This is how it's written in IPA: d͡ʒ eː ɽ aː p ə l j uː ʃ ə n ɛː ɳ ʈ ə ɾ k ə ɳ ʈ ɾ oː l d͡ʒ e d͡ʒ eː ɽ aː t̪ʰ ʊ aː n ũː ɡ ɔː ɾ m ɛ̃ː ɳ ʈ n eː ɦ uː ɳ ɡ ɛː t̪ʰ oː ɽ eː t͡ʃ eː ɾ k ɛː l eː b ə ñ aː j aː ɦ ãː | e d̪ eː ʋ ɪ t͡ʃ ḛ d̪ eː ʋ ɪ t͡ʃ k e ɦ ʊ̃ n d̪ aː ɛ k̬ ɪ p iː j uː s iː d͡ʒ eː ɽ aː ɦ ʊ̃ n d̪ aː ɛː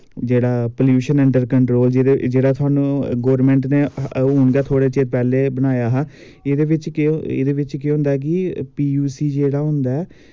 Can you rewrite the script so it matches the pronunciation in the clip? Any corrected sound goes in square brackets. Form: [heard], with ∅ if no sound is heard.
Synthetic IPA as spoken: d͡ʒ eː ɽ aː p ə l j uː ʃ ə n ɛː ɳ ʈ ə ɾ k ə ɳ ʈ ɾ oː l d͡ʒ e d͡ʒ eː ɽ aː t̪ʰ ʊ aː n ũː ɡ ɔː ɾ m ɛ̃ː ɳ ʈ n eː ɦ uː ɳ ɡ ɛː t̪ʰ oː ɽ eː t͡ʃ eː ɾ [p] ɛː l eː b ə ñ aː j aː ɦ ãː | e d̪ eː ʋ ɪ t͡ʃ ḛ d̪ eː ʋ ɪ t͡ʃ k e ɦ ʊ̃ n d̪ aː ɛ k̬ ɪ p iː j uː s iː d͡ʒ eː ɽ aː ɦ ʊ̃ n d̪ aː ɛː